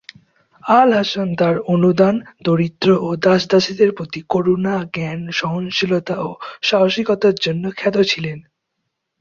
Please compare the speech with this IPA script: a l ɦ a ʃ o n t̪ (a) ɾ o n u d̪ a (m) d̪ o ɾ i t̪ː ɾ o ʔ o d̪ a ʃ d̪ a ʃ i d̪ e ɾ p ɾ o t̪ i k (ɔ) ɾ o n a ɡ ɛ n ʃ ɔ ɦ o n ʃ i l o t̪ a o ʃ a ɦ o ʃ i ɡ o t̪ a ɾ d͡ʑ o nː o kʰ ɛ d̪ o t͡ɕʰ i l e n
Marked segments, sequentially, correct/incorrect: correct, incorrect, incorrect

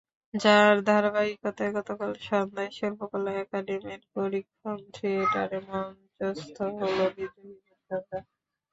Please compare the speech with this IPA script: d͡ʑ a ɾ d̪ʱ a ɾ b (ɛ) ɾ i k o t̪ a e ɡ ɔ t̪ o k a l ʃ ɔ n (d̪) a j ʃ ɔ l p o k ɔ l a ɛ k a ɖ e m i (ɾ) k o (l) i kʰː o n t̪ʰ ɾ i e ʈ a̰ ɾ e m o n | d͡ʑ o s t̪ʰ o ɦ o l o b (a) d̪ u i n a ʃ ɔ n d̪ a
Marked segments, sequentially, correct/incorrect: incorrect, correct, correct, incorrect, incorrect

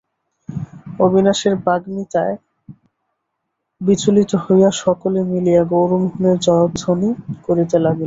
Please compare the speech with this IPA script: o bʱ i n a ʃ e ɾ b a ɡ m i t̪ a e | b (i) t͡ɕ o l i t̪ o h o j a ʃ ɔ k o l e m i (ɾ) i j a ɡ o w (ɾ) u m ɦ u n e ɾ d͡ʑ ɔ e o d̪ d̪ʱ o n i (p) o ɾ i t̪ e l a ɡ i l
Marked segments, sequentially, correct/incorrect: correct, incorrect, correct, incorrect

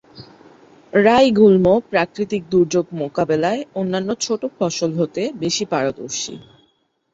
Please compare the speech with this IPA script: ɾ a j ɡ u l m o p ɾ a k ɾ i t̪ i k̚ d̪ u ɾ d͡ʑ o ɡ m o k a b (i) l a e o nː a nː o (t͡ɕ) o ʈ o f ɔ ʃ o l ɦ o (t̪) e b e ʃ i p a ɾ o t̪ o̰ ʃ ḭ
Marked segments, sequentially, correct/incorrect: incorrect, incorrect, correct

